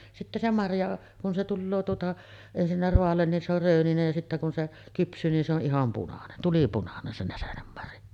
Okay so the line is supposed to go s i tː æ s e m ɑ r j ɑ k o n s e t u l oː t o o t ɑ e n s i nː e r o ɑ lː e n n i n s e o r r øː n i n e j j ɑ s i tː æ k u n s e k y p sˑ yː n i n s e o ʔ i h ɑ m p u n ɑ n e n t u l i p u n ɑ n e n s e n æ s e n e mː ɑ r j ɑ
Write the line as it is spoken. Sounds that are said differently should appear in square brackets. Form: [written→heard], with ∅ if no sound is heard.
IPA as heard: s i tː æ s e m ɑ r j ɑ k [o→u] n s e t u [l→lː] oː t [o→u] o t ɑ e n s i nː [e→æ] r o ɑ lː e n n i n s e o r r øː n i n e j j ɑ s i tː æ k u n s e k y p sˑ yː n i n s e o ʔ i h ɑ m p u n ɑ n e n t u l i p u n ɑ n e n s e n æ s e n e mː ɑ r j ɑ